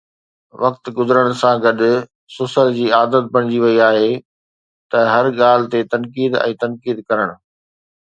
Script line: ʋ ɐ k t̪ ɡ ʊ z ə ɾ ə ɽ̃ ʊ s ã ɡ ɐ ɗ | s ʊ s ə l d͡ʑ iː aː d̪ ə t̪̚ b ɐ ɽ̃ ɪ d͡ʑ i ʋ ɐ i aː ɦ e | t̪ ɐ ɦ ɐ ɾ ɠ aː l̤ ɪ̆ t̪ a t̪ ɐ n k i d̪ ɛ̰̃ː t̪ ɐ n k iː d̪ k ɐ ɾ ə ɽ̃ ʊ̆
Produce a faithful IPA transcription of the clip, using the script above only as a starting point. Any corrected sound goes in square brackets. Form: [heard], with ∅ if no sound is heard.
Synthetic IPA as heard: ʋ ɐ k t̪ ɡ ʊ z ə ɾ ə ɽ̃ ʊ s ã ɡ ɐ ɗ | s ʊ s ə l d͡ʑ iː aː d̪ ə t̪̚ b ɐ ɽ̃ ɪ d͡ʑ i ʋ ɐ i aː ɦ e | t̪ ɐ ɦ ɐ ɾ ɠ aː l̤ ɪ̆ t̪ [e] t̪ ɐ n k [iː] d̪ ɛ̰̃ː t̪ ɐ n k iː d̪ k ɐ ɾ ə ɽ̃ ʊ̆

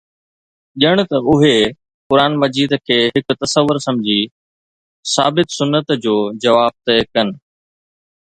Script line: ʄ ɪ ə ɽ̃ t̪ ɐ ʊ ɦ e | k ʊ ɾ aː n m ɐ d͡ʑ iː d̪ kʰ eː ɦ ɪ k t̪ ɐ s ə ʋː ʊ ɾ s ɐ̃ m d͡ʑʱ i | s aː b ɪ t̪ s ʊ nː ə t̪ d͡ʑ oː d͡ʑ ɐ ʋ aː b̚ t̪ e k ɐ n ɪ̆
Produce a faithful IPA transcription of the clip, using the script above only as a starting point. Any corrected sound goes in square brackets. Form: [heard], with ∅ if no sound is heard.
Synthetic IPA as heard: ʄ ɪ ə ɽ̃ t̪ ɐ ʊ ɦ e | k ʊ ɾ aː n m ɐ d͡ʑ iː d̪ kʰ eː ɦ ɪ k t̪ ɐ s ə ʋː ʊ ɾ s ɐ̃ m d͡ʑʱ i | s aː b ɪ t̪ s ʊ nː ə t̪ d͡ʑ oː d͡ʑ ɐ ʋ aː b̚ t̪ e k ɐ n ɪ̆

